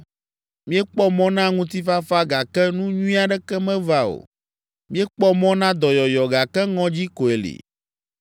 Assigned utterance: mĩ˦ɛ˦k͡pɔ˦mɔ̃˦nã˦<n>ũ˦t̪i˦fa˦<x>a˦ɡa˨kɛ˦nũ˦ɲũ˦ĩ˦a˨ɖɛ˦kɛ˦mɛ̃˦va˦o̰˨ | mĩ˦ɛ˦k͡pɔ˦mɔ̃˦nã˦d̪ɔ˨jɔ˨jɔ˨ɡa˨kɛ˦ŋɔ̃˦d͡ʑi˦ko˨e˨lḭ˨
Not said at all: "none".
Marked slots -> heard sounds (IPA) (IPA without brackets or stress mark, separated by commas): ŋ, f